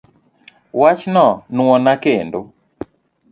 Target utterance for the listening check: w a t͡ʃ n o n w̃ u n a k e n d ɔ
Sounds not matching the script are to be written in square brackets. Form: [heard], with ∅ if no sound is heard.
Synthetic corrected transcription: w a t͡ʃ n [ɔ] n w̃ [ɔ] n a k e n d [o]